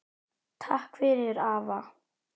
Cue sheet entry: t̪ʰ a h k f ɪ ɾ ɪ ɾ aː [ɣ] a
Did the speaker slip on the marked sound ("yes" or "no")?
yes